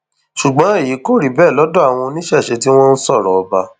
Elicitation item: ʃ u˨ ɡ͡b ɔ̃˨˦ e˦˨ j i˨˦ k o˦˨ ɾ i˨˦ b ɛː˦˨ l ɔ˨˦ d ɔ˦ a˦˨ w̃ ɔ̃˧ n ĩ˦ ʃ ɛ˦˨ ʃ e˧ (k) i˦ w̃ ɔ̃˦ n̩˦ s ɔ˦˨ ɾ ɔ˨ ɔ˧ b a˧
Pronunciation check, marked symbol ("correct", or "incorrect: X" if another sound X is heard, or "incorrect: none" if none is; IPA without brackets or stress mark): incorrect: t